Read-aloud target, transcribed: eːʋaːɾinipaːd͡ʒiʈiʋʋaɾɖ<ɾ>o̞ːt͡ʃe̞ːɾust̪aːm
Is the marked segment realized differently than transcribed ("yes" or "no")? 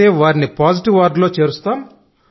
yes